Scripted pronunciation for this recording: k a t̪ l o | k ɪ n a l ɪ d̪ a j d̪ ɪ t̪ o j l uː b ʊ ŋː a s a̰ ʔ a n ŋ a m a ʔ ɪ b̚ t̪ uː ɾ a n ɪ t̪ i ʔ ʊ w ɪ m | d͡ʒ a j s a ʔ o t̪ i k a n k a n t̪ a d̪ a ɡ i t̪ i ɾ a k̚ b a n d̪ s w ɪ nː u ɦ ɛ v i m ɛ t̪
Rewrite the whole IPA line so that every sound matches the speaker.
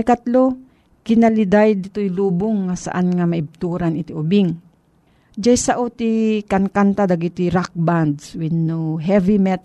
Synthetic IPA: k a t̪ l o | k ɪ n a l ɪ d̪ a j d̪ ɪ t̪ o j l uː b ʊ ŋː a s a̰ ʔ a n ŋ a m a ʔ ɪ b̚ t̪ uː ɾ a n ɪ t̪ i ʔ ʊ b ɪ ŋ | d͡ʒ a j s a ʔ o t̪ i k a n k a n t̪ a d̪ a ɡ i t̪ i ɾ a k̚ b a n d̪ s w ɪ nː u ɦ ɛ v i m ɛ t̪